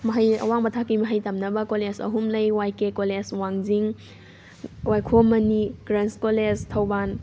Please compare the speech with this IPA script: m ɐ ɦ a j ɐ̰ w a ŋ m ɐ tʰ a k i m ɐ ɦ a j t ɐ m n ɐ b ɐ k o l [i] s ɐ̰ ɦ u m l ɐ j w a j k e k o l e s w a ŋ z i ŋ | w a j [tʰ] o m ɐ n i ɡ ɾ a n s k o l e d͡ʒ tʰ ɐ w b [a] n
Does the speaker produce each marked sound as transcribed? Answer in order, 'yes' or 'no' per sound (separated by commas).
no, no, yes